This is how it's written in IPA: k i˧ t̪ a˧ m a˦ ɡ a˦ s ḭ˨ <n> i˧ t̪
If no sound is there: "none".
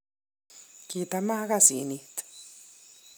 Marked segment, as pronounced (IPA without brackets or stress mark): n